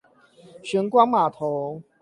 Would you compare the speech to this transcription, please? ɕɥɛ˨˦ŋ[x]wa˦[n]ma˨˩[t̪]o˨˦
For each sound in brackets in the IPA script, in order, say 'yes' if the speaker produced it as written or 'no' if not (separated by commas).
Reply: no, no, no